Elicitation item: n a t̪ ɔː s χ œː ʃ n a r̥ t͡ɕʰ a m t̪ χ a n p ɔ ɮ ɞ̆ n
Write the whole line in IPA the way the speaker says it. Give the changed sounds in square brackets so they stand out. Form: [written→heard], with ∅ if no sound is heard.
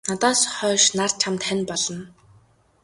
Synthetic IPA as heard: n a t̪ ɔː s χ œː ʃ n a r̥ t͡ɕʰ a m t̪ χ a n p ɔ ɮ ɞ̆ n